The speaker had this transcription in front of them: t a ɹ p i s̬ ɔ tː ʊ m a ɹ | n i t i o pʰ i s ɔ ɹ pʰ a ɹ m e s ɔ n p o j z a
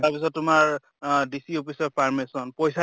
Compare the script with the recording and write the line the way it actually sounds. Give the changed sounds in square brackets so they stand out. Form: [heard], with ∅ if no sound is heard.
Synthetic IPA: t a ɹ p i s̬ ɔ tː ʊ m a ɹ | [d] i [s] i o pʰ i s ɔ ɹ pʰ a ɹ m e s ɔ n p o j [s] a